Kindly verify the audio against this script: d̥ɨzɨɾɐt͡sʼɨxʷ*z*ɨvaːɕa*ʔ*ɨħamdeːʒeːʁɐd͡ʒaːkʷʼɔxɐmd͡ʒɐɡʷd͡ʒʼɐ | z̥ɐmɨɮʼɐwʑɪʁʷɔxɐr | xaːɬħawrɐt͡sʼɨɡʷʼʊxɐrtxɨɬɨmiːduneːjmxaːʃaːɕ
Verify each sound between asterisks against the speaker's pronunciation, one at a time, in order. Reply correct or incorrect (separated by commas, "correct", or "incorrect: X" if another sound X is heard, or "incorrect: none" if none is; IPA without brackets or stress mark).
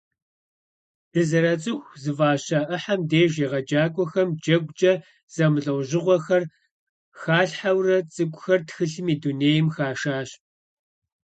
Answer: correct, correct